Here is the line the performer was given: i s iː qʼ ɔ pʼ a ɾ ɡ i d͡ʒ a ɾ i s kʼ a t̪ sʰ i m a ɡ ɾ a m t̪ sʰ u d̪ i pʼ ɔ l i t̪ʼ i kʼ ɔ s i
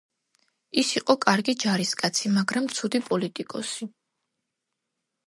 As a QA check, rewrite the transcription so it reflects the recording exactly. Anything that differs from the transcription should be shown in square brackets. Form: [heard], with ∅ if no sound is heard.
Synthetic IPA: i s [i] qʼ ɔ [kʼ] a ɾ ɡ i d͡ʒ a ɾ i s kʼ a t̪ sʰ i m a ɡ ɾ a m t̪ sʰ u d̪ i pʼ ɔ l i t̪ʼ i kʼ ɔ s i